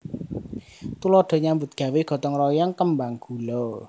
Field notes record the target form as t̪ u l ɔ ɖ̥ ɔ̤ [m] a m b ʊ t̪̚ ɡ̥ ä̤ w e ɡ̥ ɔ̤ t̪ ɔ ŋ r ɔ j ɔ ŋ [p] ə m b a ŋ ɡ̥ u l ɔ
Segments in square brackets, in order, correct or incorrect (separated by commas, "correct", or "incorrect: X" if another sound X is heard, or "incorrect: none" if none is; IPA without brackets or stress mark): incorrect: ɲ, incorrect: k